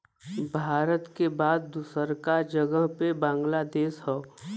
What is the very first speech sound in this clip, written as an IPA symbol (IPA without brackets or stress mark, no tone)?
bʱ